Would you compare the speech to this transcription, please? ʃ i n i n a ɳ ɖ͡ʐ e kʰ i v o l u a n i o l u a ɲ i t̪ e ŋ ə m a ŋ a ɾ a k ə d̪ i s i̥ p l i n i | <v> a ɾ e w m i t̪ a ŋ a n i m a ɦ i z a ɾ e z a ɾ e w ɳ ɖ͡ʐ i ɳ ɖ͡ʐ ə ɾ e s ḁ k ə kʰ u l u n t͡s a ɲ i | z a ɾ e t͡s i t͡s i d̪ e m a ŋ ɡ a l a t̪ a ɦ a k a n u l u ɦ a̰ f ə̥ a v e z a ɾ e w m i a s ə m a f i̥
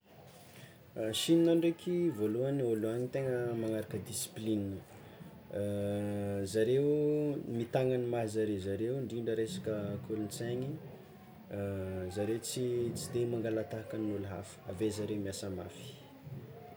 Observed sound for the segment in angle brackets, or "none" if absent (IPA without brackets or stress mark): z